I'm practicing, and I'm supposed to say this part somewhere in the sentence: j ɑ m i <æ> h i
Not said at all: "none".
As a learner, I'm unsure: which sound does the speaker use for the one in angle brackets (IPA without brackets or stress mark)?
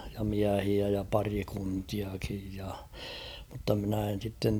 æ